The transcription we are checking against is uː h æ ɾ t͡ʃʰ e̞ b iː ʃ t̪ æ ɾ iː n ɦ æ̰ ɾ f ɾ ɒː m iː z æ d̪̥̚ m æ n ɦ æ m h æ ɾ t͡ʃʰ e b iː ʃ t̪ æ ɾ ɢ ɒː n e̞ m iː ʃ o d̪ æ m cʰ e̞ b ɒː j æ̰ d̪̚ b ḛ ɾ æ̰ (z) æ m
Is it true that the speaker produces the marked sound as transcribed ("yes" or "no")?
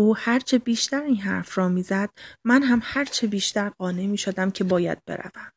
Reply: no